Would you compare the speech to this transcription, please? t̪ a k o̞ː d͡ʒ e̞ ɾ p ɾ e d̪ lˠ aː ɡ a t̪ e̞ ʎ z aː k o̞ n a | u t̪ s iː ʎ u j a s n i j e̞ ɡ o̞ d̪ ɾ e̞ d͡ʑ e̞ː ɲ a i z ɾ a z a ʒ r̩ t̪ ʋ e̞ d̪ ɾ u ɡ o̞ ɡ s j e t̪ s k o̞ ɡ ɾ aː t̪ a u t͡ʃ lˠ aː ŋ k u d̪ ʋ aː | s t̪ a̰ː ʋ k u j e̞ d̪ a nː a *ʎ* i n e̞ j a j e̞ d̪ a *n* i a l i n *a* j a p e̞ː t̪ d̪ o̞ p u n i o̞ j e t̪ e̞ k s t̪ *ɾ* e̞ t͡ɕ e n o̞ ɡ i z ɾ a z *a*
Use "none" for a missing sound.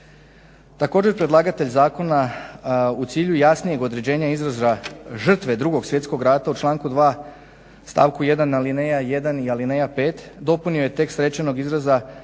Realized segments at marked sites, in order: l, n, e, ɾ, a

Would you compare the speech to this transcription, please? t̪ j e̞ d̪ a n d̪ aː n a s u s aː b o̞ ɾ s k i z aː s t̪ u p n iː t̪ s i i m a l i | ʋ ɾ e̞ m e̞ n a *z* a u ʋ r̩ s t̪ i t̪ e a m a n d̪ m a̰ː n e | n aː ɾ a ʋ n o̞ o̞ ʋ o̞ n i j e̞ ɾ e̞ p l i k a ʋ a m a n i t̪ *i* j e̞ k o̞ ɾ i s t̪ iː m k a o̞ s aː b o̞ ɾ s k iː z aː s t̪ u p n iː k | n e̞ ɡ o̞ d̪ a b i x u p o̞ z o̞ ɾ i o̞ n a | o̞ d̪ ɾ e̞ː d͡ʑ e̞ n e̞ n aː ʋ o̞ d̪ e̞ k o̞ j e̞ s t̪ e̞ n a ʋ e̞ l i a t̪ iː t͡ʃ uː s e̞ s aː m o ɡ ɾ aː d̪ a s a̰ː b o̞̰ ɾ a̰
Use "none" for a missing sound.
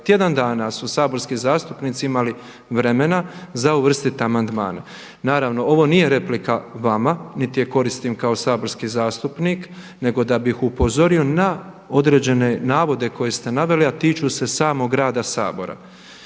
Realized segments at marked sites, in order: z, i

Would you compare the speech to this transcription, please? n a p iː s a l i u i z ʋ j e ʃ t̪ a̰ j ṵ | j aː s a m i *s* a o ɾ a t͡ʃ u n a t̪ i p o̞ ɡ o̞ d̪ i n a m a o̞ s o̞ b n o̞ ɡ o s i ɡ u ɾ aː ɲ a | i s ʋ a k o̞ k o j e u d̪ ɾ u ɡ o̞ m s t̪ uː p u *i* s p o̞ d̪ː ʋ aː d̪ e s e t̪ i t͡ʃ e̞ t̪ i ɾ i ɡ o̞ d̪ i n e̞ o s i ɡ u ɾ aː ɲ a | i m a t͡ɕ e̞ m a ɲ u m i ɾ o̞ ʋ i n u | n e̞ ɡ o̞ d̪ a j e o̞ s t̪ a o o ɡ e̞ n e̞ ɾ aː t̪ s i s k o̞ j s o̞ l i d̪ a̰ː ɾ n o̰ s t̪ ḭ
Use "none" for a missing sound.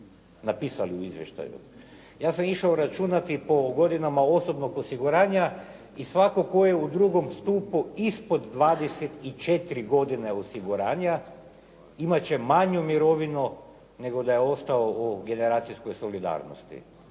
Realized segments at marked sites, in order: ʃ, i

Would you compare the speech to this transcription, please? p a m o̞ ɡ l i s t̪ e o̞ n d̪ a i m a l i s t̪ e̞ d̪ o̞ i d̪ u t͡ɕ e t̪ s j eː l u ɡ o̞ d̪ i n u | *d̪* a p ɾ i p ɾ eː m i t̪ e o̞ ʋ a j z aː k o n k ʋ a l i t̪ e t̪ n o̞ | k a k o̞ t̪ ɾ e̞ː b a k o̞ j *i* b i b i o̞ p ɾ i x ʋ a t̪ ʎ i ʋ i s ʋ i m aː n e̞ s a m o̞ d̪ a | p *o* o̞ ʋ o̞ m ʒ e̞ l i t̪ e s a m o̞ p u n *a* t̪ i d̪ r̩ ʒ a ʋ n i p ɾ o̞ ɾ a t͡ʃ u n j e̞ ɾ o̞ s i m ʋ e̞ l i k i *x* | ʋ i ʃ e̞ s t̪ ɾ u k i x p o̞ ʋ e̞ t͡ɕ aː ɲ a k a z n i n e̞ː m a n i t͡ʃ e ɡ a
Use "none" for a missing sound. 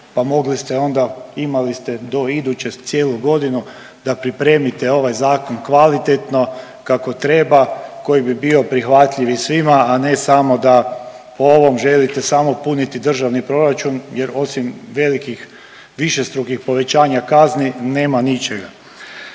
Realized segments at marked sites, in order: d̪, i, o, i, x

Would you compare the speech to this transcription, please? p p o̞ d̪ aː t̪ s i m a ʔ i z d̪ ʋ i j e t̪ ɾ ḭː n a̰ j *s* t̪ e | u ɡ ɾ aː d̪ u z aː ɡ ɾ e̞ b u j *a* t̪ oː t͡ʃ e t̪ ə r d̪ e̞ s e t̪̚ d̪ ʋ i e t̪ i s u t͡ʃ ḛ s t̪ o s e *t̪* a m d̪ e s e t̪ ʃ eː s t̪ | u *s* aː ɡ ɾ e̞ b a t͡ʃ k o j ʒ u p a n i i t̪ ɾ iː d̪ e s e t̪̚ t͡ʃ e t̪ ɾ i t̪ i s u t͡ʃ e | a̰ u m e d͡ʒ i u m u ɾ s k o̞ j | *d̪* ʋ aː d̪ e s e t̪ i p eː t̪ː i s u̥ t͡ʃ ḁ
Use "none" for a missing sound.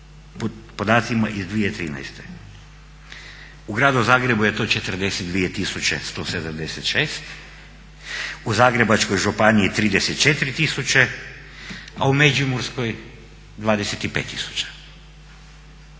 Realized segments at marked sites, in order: s, e, d̪, z, d̪

